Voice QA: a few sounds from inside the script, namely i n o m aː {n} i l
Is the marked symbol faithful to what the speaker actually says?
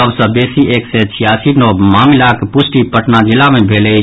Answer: no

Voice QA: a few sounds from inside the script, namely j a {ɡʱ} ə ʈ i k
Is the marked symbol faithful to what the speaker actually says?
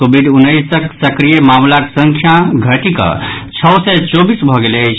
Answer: yes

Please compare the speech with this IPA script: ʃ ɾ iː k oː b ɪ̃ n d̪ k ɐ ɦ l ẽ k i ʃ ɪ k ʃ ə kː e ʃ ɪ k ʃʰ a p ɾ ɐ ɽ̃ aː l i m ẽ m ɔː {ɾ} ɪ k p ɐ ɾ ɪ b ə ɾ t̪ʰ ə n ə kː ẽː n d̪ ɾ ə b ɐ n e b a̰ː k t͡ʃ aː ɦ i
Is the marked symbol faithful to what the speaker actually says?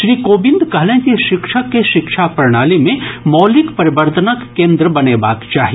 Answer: no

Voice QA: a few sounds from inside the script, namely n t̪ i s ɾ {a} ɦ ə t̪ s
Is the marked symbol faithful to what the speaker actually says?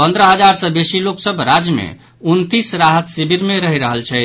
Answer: yes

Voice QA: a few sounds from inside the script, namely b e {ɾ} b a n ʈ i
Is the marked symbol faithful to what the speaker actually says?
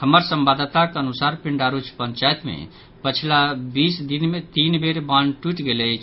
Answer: yes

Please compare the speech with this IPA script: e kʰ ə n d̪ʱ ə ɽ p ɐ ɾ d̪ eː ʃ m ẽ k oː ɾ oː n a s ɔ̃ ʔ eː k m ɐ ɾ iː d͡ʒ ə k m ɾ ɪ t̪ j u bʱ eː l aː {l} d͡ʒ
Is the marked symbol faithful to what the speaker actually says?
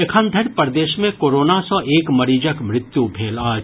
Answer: no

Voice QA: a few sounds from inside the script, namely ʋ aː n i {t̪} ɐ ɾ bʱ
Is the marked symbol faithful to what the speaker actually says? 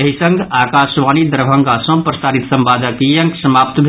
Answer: no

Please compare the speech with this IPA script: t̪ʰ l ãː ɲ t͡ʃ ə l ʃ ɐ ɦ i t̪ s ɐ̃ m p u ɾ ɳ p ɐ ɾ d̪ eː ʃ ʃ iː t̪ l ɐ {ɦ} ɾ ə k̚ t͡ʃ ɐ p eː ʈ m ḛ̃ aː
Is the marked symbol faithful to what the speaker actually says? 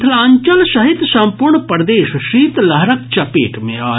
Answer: yes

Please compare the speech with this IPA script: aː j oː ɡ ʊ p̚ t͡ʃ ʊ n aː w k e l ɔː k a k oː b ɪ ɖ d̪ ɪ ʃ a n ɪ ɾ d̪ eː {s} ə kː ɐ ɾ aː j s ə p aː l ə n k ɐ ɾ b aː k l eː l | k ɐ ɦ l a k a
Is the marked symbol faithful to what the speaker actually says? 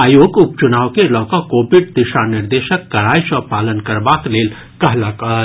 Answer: no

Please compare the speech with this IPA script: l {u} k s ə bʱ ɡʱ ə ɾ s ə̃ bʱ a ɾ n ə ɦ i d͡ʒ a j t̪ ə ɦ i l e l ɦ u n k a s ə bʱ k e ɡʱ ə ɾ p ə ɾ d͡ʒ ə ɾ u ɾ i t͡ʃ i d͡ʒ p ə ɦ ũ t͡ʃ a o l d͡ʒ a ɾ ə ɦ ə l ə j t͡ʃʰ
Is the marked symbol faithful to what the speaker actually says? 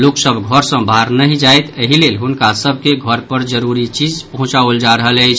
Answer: no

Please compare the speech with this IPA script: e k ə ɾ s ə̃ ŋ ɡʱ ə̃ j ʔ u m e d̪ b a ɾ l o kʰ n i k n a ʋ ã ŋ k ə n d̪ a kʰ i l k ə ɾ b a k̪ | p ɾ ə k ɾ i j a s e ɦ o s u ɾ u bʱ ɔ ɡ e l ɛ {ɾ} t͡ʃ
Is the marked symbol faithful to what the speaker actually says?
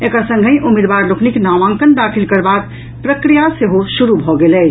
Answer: no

